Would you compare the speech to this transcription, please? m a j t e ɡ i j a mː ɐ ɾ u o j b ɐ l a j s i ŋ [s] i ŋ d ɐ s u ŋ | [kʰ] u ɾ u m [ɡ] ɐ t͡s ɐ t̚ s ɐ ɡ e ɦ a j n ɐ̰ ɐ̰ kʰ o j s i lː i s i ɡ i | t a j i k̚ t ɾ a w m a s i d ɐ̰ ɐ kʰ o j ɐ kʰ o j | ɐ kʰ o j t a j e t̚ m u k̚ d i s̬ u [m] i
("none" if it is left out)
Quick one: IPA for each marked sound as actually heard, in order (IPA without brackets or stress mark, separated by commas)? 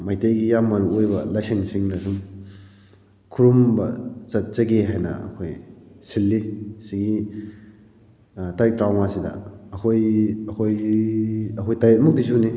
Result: s, kʰ, b, n